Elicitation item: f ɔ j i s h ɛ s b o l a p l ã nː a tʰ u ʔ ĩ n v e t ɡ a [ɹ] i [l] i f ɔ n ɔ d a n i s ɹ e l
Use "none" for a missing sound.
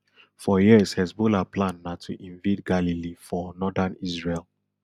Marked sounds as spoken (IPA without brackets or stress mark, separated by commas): l, l